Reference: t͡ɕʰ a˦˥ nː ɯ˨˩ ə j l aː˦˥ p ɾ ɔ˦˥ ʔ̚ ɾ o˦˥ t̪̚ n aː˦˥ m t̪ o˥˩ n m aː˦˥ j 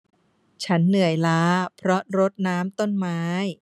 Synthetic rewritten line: t͡ɕʰ a˦˥ nː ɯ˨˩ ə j l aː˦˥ pʰ ɾ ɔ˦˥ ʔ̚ ɾ o˦˥ t̪̚ n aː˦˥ m t̪ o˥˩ n m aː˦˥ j